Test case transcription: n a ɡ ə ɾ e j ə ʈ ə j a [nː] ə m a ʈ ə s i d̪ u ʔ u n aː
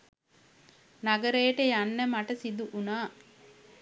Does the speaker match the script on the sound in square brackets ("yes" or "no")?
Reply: yes